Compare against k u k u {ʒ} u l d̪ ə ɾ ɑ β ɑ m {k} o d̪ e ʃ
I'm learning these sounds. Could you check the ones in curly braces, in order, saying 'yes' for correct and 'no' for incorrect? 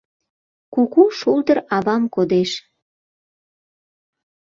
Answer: no, yes

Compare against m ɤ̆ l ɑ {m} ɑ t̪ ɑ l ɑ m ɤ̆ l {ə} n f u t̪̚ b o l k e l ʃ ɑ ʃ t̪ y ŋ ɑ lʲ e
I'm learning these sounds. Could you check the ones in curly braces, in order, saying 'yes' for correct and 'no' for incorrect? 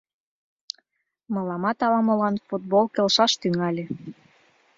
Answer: yes, no

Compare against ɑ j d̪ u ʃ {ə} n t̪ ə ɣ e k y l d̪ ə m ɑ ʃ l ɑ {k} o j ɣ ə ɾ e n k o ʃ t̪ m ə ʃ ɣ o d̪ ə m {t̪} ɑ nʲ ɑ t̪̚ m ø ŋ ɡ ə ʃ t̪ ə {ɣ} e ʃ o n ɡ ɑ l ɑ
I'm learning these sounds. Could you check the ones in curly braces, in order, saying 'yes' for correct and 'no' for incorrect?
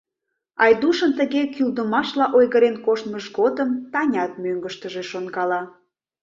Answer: yes, no, yes, no

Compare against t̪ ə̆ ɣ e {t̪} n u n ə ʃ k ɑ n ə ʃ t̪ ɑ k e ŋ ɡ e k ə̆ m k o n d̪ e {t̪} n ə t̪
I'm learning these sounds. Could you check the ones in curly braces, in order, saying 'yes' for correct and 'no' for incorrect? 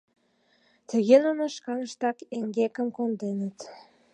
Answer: no, no

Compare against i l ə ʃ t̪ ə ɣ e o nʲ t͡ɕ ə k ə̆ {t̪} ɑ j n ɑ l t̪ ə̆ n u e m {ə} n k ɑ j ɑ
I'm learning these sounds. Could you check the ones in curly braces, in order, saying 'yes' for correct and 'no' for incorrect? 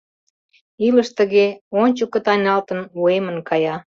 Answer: yes, yes

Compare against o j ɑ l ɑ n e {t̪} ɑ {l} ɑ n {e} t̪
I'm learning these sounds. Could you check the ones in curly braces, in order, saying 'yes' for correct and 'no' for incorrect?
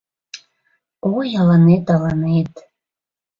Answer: yes, yes, yes

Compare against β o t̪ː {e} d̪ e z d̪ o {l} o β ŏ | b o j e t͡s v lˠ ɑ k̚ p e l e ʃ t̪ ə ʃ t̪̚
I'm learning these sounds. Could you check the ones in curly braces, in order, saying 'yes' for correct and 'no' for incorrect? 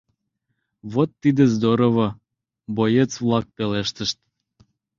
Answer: no, no

